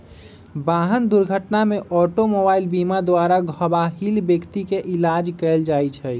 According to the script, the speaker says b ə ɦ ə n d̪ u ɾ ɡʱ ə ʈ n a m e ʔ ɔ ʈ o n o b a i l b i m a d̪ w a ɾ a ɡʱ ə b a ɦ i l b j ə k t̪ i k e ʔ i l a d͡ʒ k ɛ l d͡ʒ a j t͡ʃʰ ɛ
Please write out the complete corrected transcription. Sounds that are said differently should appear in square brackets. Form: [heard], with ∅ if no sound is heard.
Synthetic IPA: b [a] ɦ ə n d̪ u ɾ ɡʱ ə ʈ n a m e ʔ ɔ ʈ o [m] o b a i l b i m a d̪ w a ɾ a ɡʱ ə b a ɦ i l b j ə k t̪ i k e ʔ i l a d͡ʒ k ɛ l d͡ʒ a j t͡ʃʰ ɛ